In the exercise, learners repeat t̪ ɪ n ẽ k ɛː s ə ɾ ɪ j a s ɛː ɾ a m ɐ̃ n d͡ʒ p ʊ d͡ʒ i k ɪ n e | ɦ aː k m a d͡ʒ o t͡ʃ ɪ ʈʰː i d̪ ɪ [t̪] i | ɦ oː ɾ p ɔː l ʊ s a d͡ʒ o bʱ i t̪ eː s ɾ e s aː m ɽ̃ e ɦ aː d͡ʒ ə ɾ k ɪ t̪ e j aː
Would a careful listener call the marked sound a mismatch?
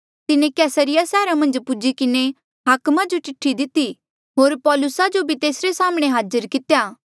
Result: no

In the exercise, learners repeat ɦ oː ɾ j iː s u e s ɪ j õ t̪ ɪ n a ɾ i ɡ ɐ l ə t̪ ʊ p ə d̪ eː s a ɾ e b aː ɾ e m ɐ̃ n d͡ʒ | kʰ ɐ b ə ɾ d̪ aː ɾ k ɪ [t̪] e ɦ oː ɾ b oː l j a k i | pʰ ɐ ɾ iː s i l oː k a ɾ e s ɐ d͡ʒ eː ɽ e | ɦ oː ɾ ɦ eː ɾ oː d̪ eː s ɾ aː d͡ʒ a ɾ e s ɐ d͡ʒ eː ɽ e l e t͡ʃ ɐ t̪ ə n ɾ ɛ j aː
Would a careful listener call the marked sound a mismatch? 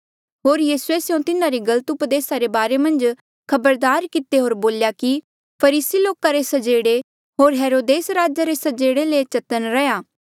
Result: no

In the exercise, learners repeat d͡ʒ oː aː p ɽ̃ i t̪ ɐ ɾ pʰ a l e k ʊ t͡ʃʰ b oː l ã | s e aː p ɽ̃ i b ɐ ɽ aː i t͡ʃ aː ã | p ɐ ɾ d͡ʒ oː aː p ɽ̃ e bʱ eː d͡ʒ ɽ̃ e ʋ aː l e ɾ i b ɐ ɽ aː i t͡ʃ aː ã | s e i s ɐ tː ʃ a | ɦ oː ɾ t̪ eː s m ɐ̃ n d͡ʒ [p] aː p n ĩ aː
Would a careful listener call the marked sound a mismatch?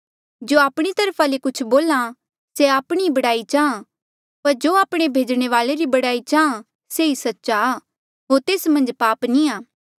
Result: no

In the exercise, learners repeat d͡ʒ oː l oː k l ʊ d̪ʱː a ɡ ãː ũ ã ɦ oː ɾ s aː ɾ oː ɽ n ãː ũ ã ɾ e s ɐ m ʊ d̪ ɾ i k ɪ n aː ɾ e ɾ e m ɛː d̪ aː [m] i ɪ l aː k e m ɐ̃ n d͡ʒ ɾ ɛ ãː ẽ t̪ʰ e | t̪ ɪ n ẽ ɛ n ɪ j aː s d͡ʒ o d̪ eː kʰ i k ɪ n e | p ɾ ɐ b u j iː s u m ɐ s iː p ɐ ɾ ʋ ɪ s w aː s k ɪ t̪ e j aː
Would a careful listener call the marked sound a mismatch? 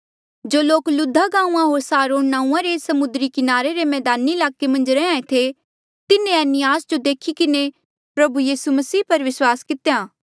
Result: yes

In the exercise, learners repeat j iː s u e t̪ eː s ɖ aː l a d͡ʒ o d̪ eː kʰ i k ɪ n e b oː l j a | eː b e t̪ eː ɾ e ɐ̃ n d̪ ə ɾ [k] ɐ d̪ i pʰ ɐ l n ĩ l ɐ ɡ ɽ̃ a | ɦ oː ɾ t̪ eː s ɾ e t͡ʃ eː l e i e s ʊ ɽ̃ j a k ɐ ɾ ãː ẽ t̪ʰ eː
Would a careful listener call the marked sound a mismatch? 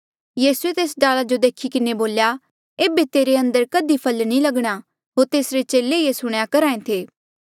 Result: no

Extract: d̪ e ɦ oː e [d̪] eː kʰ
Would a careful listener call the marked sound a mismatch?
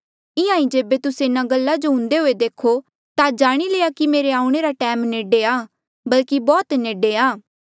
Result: no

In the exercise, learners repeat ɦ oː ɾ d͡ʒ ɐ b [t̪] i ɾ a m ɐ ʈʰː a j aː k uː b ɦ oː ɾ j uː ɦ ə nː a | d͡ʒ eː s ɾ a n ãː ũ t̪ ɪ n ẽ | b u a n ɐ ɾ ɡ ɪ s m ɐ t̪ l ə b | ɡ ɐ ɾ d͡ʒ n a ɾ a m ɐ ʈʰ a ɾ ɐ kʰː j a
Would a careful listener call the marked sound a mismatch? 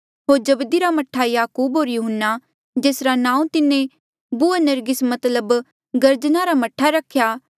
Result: yes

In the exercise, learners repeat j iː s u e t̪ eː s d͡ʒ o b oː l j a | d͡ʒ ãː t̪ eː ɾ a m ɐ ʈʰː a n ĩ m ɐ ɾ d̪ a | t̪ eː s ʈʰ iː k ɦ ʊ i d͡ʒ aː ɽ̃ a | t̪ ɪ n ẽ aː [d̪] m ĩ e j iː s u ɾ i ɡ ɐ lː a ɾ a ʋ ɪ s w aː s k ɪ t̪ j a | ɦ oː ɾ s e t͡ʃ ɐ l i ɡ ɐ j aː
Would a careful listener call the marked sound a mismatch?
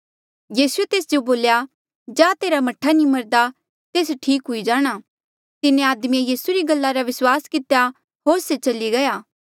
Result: no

